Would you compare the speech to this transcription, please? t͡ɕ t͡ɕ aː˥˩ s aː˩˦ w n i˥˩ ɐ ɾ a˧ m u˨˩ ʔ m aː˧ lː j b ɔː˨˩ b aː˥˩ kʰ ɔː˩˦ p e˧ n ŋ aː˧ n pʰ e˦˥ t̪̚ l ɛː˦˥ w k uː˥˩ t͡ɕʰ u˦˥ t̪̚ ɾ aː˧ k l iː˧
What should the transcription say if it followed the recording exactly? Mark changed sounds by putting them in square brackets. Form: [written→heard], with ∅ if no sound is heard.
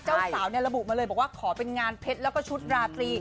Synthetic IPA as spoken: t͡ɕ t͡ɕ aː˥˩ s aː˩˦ w n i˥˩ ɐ ɾ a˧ [m→b] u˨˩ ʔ m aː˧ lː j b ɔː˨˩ [b→w] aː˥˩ kʰ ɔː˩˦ p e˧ n ŋ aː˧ n pʰ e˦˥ t̪̚ l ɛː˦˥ w k [uː˥˩→ɔː˥˩] t͡ɕʰ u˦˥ t̪̚ ɾ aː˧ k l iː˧